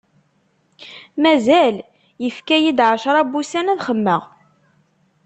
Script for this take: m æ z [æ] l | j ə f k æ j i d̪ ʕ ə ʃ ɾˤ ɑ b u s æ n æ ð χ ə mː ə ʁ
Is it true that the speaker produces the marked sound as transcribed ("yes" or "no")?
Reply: yes